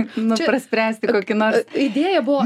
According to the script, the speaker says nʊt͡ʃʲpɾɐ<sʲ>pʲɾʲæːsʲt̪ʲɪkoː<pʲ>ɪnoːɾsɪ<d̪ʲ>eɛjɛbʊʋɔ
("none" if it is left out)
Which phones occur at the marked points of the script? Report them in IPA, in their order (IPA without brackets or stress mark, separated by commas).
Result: sʲ, kʲ, d̪ʲ